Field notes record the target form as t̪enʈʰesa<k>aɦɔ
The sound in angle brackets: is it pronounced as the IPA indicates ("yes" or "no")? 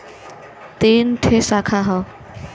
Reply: no